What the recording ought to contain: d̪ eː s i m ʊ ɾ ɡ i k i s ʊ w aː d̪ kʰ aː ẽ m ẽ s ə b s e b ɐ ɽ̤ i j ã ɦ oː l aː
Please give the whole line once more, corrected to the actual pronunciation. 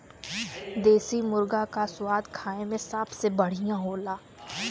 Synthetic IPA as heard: d̪ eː s i m ʊ ɾ ɡ a k a s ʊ w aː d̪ kʰ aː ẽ m ẽ s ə b s e b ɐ ɽ̤ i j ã ɦ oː l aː